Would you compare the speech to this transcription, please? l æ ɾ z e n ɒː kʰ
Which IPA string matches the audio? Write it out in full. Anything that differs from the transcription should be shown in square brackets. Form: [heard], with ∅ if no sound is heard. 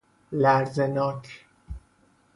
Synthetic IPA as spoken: l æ ɾ z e n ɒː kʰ